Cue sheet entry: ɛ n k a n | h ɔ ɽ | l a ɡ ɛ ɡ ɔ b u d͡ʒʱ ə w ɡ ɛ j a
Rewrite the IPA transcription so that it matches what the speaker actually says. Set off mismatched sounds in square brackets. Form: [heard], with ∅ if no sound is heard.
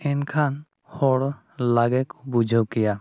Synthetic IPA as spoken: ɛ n [kʰ] a n | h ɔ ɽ | l a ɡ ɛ [k] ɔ b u d͡ʒʱ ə w [k] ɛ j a